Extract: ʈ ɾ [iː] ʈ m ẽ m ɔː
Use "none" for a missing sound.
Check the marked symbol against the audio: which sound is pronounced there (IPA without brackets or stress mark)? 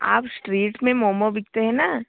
iː